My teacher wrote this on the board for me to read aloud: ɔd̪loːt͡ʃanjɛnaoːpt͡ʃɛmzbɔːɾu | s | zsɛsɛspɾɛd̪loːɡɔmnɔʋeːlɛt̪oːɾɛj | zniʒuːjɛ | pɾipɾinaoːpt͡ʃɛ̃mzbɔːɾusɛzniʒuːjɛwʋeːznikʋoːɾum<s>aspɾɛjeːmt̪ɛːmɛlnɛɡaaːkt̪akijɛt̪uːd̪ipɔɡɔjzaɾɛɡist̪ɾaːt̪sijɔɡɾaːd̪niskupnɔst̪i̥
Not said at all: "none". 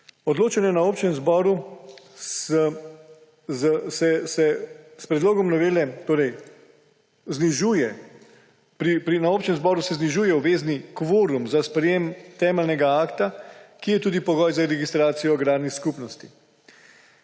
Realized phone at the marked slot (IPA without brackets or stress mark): z